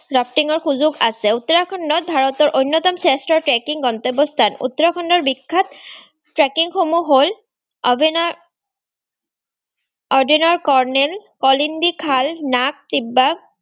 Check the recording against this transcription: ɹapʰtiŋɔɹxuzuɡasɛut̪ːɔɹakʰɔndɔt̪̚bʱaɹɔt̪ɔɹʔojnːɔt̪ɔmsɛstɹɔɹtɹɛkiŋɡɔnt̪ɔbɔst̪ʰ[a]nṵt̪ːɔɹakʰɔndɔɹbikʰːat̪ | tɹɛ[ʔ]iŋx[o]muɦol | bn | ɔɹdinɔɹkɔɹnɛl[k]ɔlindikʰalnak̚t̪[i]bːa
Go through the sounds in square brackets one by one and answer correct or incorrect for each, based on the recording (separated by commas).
correct, incorrect, correct, correct, correct